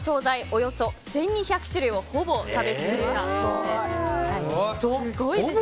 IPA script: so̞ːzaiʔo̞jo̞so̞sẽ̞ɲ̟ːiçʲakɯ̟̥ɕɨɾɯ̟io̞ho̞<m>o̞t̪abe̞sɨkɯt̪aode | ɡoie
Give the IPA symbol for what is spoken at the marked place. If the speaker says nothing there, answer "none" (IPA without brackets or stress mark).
b